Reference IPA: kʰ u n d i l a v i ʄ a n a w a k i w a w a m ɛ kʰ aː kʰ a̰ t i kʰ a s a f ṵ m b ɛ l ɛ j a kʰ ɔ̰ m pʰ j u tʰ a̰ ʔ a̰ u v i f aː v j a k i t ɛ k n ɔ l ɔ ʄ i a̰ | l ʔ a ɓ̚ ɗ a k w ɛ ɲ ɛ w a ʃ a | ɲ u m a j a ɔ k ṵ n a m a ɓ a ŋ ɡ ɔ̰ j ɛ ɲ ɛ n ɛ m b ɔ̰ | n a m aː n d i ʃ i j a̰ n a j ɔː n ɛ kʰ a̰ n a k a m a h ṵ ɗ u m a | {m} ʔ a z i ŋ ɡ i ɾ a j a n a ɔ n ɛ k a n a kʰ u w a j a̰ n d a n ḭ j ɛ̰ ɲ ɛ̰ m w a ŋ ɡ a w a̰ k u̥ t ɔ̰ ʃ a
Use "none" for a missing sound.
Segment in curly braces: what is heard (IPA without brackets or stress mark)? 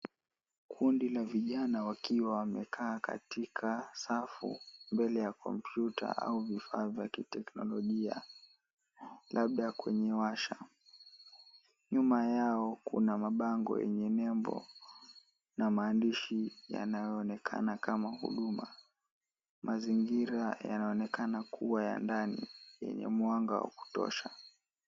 m